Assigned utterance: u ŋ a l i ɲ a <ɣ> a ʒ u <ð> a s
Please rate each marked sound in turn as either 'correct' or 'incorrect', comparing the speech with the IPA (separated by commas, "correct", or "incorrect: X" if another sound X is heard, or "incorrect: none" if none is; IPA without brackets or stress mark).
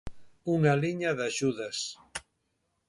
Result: incorrect: ð, correct